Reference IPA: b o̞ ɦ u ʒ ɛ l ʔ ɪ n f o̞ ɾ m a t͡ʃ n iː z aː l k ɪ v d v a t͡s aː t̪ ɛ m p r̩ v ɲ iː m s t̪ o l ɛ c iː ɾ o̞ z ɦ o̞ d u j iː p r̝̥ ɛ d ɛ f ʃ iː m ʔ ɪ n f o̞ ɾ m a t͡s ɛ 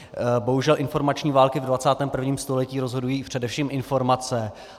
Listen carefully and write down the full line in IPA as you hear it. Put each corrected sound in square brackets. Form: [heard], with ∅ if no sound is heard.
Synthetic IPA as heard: b o̞ ɦ u ʒ ɛ l ʔ ɪ n f o̞ ɾ m a t͡ʃ [ɲ] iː [v] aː l k ɪ v d v a t͡s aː t̪ [ɛː] m p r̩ v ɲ iː m s t̪ o l ɛ c iː ɾ o̞ z ɦ o̞ d u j iː p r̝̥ ɛ d ɛ f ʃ iː m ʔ ɪ n f o̞ ɾ m a t͡s ɛ